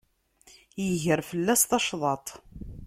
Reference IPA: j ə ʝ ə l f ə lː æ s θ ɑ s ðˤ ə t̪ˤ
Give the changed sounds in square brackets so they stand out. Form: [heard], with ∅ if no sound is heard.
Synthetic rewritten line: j ə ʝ ə [ɾ] f ə lː æ s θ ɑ [ʃ] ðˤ [ɑ] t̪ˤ